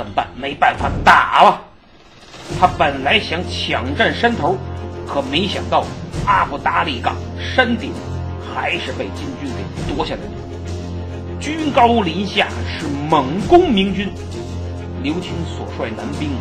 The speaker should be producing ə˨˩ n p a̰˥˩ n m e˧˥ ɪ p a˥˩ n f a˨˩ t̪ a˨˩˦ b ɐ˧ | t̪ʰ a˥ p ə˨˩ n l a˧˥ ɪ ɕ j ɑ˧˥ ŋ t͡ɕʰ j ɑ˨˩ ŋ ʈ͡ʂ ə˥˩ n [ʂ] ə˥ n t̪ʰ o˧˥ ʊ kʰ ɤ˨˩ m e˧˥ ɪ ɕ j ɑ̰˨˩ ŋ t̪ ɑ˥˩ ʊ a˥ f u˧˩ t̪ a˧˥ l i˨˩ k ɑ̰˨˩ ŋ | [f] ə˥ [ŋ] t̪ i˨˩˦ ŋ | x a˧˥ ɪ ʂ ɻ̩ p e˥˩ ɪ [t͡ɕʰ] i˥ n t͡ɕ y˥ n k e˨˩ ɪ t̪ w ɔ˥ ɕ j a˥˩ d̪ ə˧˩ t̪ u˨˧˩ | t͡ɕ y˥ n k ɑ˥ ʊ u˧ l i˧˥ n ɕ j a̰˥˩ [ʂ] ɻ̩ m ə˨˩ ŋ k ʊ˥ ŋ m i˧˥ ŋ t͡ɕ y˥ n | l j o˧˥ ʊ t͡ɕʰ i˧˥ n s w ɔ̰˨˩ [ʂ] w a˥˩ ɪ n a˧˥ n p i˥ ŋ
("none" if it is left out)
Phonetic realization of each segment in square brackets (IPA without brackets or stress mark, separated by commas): ʂ, ʂ, n, t͡ɕ, ʂ, ʂ